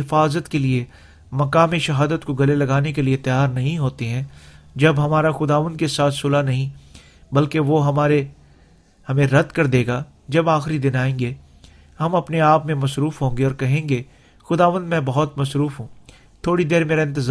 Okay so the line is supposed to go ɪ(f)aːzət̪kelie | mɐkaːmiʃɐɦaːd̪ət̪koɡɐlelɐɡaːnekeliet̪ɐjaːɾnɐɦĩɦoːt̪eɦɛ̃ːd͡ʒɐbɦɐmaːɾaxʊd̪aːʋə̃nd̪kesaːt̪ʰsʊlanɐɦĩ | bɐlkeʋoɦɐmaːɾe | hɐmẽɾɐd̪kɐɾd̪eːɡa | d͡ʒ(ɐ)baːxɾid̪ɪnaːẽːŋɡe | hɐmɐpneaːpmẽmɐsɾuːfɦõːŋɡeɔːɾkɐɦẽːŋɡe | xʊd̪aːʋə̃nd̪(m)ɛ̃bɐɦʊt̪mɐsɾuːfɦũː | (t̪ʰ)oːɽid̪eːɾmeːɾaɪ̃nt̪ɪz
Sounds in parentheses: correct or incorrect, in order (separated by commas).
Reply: correct, correct, correct, correct